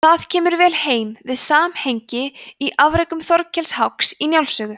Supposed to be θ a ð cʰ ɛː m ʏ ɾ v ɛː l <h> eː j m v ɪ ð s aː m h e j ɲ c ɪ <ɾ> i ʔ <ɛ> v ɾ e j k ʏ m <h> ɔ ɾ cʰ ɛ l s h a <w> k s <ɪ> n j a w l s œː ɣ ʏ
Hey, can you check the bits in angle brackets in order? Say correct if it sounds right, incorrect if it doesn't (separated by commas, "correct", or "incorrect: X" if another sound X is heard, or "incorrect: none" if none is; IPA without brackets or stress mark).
correct, incorrect: none, incorrect: a, incorrect: θ, correct, incorrect: i